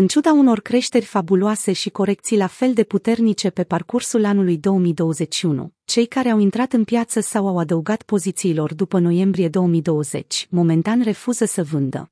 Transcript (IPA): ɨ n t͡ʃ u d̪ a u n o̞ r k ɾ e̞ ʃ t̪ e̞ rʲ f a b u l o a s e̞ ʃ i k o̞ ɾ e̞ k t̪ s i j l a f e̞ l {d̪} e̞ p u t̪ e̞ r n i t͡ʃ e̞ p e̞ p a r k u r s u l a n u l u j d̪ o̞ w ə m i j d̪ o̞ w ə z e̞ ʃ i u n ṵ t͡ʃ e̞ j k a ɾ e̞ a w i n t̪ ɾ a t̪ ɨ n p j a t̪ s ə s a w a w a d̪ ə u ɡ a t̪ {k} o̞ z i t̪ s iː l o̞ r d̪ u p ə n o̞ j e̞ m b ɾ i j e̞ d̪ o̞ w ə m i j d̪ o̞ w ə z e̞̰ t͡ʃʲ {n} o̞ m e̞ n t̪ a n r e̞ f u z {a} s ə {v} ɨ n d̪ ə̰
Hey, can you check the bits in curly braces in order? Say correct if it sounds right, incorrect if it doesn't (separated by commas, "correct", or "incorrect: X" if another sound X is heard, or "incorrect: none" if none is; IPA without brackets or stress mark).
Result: correct, incorrect: p, incorrect: m, incorrect: ə, correct